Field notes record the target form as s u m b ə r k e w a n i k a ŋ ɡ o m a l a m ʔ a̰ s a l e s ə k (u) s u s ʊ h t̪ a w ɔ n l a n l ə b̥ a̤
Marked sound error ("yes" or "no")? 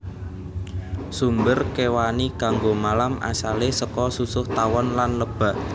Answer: yes